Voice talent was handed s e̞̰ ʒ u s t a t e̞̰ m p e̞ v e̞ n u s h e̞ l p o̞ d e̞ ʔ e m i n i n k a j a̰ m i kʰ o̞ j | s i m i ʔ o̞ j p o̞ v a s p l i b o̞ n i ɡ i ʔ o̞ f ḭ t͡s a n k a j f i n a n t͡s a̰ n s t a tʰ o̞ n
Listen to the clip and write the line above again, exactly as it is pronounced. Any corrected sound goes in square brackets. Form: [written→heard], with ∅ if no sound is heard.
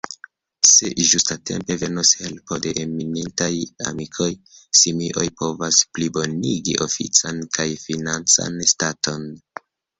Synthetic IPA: s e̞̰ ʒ u s t a t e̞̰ m p e̞ v e̞ n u s h e̞ l p o̞ d e̞ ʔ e m i n i n [k→t] a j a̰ m i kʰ o̞ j | s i m i ʔ o̞ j p o̞ v a s p l i b o̞ n i ɡ i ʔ o̞ f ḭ t͡s a n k a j f i n a n t͡s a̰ n s t a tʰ o̞ n